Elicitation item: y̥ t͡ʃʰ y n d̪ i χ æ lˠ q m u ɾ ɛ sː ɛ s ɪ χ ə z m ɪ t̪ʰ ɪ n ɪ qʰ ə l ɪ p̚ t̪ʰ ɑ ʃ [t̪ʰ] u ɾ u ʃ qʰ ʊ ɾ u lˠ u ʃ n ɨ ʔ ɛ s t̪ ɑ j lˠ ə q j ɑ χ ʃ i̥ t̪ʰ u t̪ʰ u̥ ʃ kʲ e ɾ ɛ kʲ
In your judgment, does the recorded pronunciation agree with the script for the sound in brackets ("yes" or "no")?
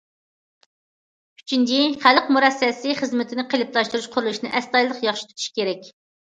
no